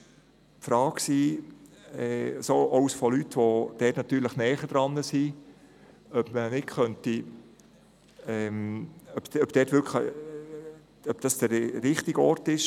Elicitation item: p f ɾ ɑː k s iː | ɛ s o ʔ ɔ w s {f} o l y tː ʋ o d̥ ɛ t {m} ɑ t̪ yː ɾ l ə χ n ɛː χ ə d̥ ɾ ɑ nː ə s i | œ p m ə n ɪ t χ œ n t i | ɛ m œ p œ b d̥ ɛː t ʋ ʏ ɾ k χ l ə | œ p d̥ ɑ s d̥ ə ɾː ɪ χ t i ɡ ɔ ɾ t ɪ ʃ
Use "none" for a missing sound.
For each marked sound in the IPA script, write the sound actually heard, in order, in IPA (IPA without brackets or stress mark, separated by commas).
f, n